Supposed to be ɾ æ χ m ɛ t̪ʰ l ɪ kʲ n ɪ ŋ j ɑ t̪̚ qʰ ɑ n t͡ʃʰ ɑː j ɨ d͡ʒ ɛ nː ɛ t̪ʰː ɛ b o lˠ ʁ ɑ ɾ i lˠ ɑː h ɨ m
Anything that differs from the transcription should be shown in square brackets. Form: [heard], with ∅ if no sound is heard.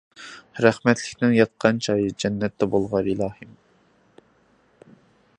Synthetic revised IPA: ɾ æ χ m ɛ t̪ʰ l ɪ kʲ n ɪ ŋ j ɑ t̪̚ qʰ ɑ n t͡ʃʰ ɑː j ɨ d͡ʒ ɛ nː ɛ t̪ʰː ɛ b o lˠ ʁ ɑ ɾ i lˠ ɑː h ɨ m